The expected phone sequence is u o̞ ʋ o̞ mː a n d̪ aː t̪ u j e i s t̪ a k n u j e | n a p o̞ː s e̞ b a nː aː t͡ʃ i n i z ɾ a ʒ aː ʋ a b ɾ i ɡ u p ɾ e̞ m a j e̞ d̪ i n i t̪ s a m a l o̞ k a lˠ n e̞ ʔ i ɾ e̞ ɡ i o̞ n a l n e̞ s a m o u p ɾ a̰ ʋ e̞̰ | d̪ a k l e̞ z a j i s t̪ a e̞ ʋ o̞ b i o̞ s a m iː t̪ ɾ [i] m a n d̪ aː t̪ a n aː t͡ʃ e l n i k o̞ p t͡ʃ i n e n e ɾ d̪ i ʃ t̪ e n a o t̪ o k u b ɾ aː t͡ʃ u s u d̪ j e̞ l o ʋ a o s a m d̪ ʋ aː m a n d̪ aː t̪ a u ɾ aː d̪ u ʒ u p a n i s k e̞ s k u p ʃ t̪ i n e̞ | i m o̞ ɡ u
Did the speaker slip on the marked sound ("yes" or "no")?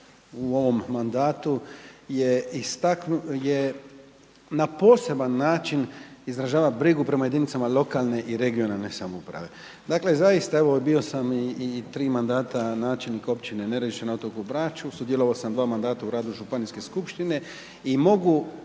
yes